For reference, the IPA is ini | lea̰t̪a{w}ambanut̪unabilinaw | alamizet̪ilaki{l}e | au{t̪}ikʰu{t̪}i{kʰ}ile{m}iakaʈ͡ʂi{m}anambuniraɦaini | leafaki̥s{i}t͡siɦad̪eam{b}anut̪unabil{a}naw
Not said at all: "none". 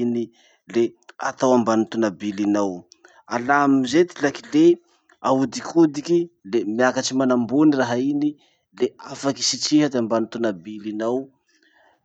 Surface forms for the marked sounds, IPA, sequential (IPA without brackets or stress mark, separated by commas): w, l, d̪, d̪, k, m, m, i, b, i